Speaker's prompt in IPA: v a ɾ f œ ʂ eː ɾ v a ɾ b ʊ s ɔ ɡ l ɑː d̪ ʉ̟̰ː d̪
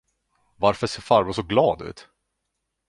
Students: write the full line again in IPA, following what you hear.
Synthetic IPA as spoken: v a ɾ f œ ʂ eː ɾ f a ɾ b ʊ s ɔ ɡ l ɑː d̪ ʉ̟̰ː t̪